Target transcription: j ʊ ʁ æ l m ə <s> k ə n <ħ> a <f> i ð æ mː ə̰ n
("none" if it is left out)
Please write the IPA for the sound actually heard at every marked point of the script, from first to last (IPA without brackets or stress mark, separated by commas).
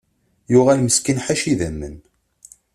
s, ħ, ʃ